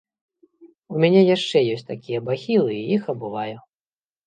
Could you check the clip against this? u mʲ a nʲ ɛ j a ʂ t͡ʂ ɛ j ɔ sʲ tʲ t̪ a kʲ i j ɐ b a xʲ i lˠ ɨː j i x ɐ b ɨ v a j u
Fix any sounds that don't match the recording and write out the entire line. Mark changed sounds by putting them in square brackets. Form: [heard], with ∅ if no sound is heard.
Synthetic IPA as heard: u mʲ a nʲ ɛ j a ʂ t͡ʂ ɛ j ɔ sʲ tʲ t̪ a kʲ i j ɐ b a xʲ i lˠ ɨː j i x ɐ b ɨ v a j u